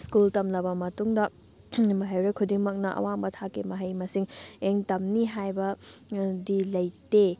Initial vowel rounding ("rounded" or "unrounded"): rounded